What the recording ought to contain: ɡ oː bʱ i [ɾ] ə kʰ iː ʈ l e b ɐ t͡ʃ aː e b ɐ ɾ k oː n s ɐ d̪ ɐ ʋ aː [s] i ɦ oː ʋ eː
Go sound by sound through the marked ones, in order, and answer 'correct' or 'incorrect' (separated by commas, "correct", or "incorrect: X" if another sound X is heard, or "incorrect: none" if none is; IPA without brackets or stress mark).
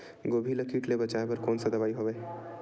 incorrect: l, incorrect: none